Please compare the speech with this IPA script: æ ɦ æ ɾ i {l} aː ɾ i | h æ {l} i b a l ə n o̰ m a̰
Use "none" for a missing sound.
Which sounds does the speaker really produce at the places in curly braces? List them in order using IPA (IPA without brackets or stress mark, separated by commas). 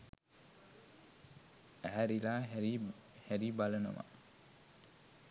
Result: l, ɾ